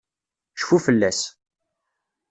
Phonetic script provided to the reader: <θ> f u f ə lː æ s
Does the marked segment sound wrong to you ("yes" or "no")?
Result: yes